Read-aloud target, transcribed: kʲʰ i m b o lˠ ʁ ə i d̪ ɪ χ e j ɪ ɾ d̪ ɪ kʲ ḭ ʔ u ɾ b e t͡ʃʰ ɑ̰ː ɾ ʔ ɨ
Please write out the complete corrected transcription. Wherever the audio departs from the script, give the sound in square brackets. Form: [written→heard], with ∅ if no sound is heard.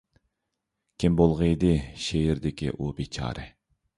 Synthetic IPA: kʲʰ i m b o lˠ ʁ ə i d̪ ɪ [χ→ʃ] e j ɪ ɾ d̪ ɪ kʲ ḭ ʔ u [ɾ→∅] b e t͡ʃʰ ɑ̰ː ɾ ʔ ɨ